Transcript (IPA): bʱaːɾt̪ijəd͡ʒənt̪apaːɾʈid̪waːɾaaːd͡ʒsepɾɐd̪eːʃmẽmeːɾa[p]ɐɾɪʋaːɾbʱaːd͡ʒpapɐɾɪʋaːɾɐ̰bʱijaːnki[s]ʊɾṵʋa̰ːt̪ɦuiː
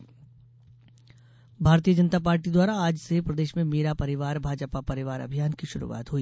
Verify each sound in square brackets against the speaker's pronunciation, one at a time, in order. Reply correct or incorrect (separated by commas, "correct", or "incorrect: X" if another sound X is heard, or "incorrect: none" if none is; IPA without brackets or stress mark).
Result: correct, incorrect: ʃ